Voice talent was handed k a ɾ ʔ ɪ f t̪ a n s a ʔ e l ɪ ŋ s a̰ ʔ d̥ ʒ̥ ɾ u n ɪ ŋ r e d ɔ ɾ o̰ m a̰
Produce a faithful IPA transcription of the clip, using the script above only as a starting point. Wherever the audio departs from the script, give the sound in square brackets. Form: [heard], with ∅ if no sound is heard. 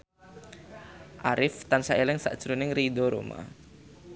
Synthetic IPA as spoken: [ʔ] a ɾ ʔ ɪ f t̪ a n s a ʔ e l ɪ ŋ s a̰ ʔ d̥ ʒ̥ ɾ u n ɪ ŋ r [i] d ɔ ɾ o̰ m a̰